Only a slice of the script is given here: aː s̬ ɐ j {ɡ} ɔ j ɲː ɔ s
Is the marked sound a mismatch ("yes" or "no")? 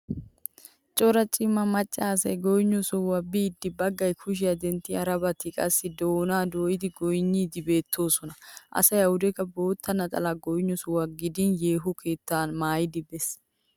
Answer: no